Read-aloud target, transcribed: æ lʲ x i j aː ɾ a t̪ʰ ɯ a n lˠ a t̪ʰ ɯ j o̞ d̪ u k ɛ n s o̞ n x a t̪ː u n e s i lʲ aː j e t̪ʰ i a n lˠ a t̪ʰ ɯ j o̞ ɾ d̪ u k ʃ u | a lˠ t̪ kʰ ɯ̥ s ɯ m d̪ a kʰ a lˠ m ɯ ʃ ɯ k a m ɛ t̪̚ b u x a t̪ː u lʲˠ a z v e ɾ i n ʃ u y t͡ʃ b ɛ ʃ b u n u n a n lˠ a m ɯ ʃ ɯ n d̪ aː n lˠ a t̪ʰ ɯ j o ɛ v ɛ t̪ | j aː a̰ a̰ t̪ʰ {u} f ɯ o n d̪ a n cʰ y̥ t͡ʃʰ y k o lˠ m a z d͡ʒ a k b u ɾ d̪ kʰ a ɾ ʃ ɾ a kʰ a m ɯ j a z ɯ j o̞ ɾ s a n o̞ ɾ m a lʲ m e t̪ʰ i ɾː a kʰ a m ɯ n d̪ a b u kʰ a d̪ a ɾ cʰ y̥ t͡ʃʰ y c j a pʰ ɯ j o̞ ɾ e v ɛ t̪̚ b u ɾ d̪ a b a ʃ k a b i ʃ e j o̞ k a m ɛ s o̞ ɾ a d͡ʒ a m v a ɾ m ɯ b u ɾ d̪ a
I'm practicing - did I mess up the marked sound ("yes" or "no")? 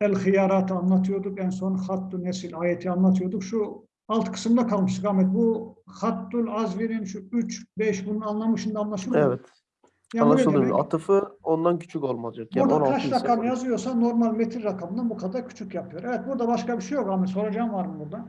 yes